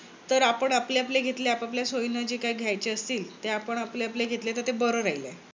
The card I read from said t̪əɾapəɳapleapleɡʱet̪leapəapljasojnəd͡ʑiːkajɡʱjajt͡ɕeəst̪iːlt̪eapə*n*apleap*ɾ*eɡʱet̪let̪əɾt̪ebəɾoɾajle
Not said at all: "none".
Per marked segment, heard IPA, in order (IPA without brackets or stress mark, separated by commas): ɳ, l